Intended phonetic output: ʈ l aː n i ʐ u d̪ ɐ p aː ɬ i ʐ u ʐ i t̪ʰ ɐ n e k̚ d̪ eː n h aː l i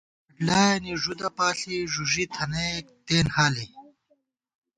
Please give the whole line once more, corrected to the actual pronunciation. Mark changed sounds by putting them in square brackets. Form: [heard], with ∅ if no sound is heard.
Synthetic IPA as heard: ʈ l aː n i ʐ u d̪ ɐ p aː ɬ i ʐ u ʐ i t̪ʰ ɐ n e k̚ [t̪] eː n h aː l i